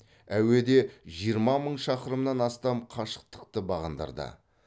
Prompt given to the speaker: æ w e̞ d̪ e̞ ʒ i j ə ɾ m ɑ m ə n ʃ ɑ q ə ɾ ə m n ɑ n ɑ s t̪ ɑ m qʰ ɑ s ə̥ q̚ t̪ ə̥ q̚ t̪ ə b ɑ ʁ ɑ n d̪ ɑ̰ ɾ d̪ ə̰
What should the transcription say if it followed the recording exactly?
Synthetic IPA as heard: æ w e̞ d̪ e̞ ʒ i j ə ɾ m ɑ m ə ɴ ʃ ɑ q ə ɾ ə m n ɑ n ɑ s t̪ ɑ m qʰ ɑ ʃ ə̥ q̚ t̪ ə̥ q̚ t̪ ə b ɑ ʁ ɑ n d̪ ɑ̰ ɾ d̪ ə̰